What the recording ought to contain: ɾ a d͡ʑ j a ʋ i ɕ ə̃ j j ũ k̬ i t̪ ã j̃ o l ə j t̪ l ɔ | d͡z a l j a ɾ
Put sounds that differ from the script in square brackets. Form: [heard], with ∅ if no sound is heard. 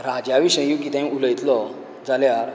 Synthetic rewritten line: ɾ a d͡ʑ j a ʋ i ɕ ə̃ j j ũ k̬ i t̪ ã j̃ [u] l ə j t̪ l ɔ | d͡z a l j a ɾ